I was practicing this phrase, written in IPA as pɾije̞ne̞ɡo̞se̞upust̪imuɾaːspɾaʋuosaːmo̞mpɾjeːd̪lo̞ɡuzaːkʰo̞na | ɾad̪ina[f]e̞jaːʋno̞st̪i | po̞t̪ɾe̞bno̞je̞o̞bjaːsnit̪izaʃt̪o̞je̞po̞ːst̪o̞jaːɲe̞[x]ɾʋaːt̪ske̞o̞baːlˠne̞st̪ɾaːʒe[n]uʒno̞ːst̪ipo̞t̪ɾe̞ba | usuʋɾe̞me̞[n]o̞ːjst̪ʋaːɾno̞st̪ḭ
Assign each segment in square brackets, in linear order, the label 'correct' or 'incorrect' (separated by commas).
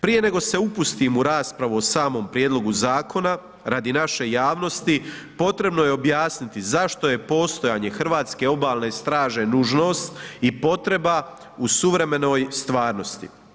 incorrect, correct, correct, correct